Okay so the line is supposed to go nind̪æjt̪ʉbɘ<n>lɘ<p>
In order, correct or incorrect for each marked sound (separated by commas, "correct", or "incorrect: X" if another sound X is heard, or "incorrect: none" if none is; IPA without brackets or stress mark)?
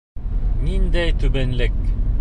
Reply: correct, incorrect: k